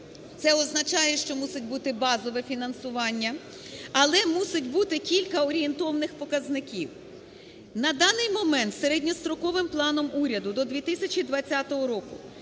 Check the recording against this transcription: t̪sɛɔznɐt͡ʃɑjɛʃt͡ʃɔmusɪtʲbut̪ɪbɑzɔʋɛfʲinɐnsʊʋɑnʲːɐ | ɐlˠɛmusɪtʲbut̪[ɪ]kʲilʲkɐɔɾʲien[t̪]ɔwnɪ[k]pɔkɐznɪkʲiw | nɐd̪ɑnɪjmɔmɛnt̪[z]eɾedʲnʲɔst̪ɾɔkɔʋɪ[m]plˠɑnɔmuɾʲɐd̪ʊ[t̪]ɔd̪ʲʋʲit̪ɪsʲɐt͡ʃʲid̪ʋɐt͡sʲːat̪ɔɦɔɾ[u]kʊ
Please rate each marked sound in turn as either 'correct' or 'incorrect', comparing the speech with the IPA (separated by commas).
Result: correct, correct, incorrect, incorrect, correct, incorrect, incorrect